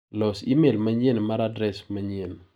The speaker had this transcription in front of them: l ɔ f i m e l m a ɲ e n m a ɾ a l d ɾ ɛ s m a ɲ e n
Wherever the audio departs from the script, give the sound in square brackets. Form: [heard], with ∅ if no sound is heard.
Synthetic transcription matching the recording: l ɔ [s] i m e l m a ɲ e n m a ɾ a [∅] d ɾ ɛ s m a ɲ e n